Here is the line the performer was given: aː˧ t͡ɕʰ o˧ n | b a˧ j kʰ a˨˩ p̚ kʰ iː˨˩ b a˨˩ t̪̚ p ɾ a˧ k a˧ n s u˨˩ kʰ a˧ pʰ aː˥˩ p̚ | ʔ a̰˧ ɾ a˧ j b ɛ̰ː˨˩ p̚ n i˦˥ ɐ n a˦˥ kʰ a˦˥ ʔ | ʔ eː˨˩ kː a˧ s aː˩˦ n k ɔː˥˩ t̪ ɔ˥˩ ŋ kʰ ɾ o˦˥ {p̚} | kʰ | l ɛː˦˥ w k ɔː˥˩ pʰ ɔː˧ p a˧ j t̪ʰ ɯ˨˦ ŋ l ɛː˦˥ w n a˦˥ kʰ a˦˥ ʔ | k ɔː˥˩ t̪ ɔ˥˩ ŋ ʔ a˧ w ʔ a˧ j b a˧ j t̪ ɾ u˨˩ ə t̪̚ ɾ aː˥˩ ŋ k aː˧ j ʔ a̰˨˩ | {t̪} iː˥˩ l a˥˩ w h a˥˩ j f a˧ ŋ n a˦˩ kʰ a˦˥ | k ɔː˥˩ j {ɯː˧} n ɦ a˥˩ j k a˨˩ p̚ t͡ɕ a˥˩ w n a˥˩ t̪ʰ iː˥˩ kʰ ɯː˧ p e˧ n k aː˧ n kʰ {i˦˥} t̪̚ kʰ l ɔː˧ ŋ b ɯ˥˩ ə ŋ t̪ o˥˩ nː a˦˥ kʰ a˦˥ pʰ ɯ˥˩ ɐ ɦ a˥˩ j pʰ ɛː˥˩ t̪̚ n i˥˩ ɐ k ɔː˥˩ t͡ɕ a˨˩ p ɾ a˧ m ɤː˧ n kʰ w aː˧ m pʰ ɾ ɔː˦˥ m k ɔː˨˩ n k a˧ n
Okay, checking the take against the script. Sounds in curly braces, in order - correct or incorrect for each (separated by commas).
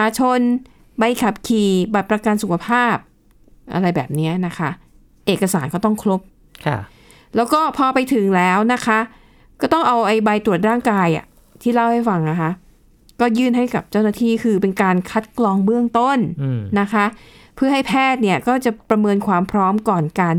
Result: correct, incorrect, incorrect, incorrect